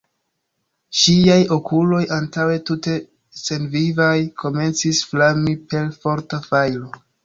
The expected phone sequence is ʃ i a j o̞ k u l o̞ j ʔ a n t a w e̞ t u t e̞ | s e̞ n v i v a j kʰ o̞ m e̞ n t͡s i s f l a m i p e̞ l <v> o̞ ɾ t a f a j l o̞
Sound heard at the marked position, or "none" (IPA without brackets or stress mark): f